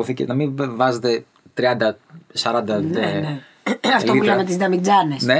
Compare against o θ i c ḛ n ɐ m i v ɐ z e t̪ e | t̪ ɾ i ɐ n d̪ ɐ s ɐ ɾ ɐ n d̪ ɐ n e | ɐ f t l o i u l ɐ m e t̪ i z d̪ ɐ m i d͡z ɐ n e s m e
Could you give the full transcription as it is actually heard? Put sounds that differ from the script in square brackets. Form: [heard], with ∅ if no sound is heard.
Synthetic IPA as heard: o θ i c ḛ n ɐ m i v ɐ z e t̪ e | t̪ ɾ i ɐ n d̪ ɐ s ɐ ɾ ɐ n d̪ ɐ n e | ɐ f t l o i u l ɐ m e t̪ i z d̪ ɐ m i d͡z ɐ n e s [n] e